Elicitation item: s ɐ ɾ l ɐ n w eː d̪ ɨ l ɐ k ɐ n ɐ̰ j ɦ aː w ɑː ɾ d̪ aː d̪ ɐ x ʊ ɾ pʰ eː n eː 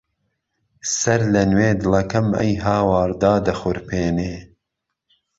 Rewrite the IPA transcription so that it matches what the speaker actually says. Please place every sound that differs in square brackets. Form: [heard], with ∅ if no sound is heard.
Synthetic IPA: s ɐ ɾ l ɐ n w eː d̪ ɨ l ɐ k ɐ [m] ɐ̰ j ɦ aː w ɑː ɾ d̪ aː d̪ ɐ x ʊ ɾ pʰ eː n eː

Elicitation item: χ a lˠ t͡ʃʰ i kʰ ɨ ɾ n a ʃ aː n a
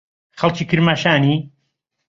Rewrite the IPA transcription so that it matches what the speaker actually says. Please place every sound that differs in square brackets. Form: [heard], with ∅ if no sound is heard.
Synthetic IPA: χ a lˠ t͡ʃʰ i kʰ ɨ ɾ [m] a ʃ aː n [i]

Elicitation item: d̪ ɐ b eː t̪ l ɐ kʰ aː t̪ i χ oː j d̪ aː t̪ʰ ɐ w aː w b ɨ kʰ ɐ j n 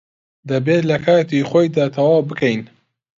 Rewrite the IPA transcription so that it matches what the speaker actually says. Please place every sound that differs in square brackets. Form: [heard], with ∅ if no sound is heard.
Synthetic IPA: d̪ ɐ b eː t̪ l ɐ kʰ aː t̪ i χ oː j d̪ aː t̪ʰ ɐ w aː w b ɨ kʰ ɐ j n

